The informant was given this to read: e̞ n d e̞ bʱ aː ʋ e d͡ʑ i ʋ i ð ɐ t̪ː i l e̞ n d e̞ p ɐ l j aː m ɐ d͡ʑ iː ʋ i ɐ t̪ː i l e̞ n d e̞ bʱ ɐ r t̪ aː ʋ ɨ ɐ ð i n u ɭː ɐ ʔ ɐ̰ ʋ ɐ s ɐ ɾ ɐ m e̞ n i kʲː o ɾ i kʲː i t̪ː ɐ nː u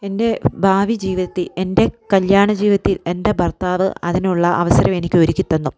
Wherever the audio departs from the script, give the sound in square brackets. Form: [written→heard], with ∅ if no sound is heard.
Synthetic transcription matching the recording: e̞ n d e̞ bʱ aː ʋ [e→i] d͡ʑ [i→iː] ʋ i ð ɐ t̪ː i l e̞ n d e̞ [p→k] ɐ l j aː [m→ɳ] ɐ d͡ʑ iː ʋ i ɐ t̪ː i l e̞ n d e̞ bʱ ɐ r t̪ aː ʋ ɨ ɐ ð i n u ɭː ɐ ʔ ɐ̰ ʋ ɐ s ɐ ɾ ɐ m e̞ n i kʲː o ɾ i kʲː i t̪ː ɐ nː u